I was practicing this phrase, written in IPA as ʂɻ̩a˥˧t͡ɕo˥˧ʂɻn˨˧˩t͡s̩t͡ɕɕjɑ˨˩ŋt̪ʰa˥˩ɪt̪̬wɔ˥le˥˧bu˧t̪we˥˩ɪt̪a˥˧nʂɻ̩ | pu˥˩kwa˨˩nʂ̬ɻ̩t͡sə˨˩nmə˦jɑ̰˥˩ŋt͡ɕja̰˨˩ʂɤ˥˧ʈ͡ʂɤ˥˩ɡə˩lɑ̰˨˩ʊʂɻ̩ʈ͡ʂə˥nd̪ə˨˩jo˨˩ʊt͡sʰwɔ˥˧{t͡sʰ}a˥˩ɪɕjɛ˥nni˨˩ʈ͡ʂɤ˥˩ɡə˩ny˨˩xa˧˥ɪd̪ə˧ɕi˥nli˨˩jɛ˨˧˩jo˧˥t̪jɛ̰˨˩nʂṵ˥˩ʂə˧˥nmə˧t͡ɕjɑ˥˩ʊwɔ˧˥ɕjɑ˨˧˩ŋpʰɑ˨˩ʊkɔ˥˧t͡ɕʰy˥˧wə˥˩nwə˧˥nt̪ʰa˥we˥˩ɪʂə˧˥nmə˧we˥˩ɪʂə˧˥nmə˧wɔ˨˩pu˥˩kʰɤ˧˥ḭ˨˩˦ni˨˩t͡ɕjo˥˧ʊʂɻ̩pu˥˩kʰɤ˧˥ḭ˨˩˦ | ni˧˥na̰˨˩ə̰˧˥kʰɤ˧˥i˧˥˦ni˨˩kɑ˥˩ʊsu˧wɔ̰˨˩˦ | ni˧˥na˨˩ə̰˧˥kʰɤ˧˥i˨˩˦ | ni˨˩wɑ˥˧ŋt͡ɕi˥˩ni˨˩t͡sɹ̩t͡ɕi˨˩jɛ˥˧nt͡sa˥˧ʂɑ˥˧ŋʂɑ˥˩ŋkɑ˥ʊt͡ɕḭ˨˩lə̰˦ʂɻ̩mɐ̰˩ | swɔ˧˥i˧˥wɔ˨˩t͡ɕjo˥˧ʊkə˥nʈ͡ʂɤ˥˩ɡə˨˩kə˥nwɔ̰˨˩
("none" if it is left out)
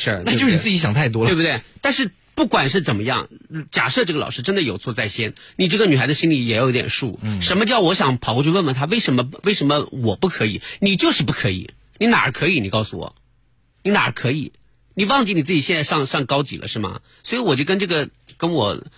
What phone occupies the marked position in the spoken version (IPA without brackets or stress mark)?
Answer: t͡s